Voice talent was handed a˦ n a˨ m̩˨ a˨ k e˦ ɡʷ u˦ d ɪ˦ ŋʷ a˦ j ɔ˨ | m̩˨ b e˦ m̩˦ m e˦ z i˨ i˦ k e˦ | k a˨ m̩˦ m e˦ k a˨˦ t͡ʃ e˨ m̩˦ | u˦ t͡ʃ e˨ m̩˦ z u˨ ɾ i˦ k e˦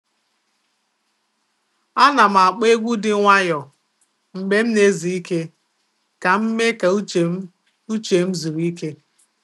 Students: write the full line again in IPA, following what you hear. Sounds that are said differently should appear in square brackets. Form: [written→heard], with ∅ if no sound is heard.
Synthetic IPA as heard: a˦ n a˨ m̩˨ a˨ [k→k͡p] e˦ ɡʷ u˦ d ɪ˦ ŋʷ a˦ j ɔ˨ | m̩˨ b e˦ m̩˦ [m→n] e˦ z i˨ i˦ k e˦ | k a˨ m̩˦ m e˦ k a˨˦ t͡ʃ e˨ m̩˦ | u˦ t͡ʃ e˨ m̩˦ z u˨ ɾ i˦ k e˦